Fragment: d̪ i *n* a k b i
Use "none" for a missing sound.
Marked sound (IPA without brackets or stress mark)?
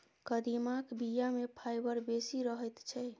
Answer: m